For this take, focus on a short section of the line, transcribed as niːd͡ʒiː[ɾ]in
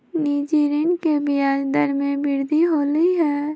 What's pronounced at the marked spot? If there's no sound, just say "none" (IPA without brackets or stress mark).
ɾ